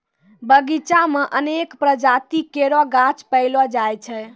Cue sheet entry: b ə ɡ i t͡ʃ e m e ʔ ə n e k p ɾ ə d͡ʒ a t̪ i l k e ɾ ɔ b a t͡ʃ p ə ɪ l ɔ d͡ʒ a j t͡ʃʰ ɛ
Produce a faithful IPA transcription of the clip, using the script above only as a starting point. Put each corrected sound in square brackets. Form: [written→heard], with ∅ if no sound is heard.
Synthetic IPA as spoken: b ə ɡ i t͡ʃ [e→a] m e ʔ ə n e k p ɾ ə d͡ʒ a t̪ i [l→∅] k e ɾ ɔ [b→ɡ] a t͡ʃ p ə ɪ l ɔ d͡ʒ a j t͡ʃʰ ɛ